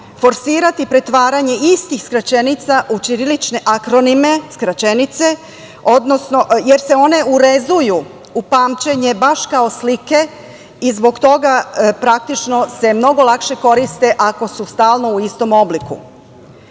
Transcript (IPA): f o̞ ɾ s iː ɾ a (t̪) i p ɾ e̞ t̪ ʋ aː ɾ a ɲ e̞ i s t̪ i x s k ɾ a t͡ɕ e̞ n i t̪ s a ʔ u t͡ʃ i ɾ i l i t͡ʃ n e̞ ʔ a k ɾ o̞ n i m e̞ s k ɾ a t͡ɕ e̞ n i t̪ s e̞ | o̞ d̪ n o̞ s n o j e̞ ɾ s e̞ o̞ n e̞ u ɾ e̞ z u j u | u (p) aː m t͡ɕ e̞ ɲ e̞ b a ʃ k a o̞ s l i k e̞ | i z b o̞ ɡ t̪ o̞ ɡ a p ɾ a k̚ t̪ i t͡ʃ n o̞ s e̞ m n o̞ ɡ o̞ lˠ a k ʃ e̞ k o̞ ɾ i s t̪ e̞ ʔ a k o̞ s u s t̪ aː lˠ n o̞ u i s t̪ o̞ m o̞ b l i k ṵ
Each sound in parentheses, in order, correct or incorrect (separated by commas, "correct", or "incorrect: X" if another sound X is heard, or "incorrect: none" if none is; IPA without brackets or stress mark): correct, correct